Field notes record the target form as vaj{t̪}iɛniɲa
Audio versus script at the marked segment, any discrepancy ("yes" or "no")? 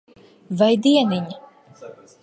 yes